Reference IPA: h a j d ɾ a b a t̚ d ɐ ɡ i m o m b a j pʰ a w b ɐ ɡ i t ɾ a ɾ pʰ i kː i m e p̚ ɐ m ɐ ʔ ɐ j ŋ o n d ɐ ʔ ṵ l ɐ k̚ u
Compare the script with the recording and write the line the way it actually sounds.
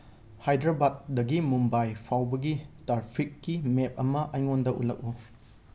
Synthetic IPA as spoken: h a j d ɾ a b a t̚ d ɐ ɡ i m u m b a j pʰ a w b ɐ ɡ i t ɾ a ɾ pʰ i kː i m e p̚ ɐ m ɐ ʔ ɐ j ŋ o n d ɐ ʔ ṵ l ɐ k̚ u